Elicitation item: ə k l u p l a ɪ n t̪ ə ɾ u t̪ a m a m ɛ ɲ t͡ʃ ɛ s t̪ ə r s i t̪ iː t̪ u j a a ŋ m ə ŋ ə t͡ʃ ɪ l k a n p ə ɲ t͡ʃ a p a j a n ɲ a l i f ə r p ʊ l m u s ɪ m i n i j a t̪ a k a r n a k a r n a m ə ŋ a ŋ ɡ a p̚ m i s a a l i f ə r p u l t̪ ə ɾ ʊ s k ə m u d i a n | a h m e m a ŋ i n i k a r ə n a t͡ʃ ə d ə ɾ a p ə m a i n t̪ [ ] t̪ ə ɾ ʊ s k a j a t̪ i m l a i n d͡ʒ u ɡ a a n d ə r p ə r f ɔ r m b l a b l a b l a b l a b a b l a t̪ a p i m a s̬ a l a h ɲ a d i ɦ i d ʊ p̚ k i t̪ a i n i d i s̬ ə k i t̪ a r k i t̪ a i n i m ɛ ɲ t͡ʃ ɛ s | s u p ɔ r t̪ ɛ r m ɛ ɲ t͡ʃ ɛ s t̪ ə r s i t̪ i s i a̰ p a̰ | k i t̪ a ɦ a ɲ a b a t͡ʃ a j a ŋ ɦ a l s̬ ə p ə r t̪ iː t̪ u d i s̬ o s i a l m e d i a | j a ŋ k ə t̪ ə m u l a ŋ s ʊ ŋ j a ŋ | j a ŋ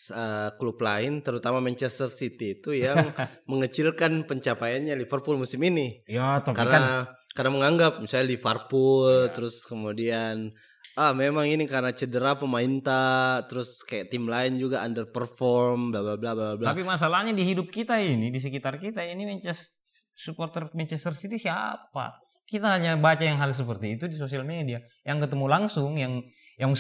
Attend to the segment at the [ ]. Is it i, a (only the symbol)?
a